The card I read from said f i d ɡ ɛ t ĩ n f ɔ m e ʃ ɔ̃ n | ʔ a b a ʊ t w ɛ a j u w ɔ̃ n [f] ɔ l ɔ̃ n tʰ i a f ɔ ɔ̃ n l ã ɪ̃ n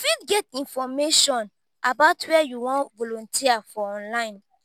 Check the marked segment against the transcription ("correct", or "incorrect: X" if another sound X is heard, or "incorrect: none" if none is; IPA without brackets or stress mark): incorrect: v